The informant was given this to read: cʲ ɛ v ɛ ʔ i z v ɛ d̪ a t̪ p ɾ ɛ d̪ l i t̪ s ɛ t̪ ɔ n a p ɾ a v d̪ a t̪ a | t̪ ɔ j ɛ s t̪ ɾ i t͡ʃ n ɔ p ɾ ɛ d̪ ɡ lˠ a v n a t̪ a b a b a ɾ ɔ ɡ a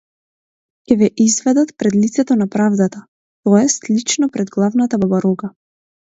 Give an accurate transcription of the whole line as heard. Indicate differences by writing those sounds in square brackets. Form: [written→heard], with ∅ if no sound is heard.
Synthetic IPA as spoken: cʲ ɛ v ɛ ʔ i z v ɛ d̪ a t̪ p ɾ ɛ d̪ l i t̪ s ɛ t̪ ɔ n a p ɾ a v d̪ a t̪ a | t̪ ɔ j ɛ s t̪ [ɾ→l] i t͡ʃ n ɔ p ɾ ɛ d̪ ɡ lˠ a v n a t̪ a b a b a ɾ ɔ ɡ a